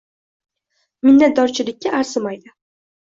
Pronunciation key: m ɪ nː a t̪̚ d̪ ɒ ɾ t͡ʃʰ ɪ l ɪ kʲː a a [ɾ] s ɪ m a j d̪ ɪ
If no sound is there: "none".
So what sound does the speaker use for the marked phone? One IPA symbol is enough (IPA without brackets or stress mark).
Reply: ɾ